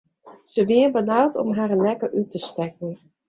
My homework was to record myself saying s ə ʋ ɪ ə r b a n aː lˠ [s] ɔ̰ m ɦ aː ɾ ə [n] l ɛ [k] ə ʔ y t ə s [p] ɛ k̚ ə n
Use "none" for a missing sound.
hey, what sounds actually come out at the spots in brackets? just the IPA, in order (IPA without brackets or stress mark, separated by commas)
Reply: t, n, k, t